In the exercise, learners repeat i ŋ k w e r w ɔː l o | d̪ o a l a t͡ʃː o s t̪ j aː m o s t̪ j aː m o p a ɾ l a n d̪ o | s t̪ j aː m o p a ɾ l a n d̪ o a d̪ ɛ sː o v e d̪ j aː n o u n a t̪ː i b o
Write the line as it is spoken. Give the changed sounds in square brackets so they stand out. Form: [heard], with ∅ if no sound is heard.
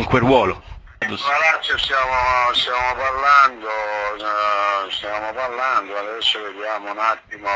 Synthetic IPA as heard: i ŋ k w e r w ɔː l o | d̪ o a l a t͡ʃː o s t̪ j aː m o s t̪ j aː m o p a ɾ l a n d̪ o | s t̪ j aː m o p a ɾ l a n d̪ o a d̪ ɛ sː o v e d̪ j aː [m] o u n a t̪ː i [m] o